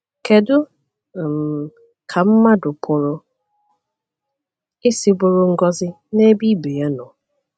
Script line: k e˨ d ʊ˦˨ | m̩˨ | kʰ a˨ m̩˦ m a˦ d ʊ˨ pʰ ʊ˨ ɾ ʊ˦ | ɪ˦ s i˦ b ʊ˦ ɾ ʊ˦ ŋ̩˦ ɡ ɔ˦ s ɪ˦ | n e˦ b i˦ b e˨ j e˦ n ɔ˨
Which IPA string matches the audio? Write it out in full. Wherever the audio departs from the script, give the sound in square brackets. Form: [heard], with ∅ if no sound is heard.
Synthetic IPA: k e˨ d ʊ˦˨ | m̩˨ | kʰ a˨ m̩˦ m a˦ d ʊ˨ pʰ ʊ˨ ɾ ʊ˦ | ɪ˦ s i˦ b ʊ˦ ɾ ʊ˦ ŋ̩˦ ɡ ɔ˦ [z] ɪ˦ | n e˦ b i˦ b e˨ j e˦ n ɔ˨